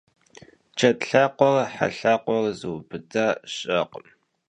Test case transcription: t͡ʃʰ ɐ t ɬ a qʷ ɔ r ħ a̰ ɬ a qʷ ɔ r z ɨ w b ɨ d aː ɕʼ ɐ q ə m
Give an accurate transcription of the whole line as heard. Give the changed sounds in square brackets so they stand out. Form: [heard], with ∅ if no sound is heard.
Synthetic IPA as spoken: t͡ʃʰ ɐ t ɬ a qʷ ɔ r ħ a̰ ɬ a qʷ ɔ r z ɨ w b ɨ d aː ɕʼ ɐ q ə m